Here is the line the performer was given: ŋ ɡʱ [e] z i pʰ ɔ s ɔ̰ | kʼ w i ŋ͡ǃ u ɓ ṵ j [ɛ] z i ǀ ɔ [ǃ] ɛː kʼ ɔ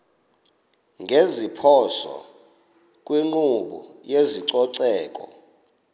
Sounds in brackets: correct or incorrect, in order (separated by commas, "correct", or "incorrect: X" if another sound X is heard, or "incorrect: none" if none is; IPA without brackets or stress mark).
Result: correct, incorrect: e, incorrect: ǀ